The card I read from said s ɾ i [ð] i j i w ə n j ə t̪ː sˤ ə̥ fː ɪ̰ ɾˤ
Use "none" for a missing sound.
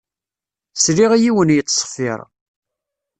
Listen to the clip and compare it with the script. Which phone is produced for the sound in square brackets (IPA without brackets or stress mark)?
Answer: ʁ